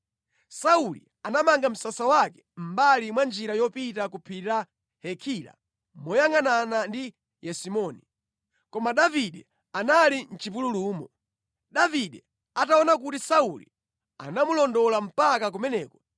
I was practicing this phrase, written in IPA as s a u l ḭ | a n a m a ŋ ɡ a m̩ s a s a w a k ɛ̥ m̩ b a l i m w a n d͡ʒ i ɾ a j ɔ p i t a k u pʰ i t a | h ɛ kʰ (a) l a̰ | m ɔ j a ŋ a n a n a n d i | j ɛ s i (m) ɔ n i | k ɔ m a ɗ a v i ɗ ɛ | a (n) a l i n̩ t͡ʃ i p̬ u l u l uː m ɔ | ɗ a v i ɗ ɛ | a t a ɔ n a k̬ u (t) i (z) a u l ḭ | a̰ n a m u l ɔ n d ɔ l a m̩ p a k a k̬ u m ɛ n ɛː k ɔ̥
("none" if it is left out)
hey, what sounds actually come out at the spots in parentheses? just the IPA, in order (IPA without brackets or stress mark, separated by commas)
i, m, n, t, s